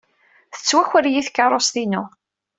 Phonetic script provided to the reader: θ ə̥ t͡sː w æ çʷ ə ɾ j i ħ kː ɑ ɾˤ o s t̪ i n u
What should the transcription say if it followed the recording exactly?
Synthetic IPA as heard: θ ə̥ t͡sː w æ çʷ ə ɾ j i θ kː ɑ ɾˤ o s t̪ i n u